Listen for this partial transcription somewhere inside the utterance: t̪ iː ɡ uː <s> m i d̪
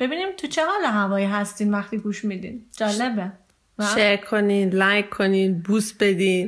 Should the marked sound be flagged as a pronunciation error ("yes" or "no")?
yes